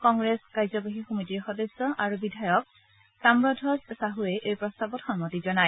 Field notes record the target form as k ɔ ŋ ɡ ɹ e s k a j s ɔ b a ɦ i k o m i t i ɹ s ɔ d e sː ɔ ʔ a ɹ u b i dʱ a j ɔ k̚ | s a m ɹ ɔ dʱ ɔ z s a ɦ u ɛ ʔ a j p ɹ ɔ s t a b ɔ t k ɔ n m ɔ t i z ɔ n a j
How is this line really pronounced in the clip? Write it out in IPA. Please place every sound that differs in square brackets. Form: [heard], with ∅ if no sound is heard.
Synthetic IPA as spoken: k ɔ ŋ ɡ ɹ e s k a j [z] ɔ b a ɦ i [x] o m i t i ɹ [x] ɔ d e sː ɔ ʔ a ɹ u b i dʱ a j ɔ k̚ | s a m ɹ ɔ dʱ ɔ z s a ɦ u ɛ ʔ [e] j p ɹ ɔ s t a b ɔ t [x] ɔ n m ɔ t i z ɔ n a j